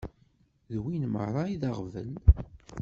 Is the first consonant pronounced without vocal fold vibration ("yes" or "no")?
no